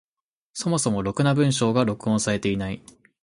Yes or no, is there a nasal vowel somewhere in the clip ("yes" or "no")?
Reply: yes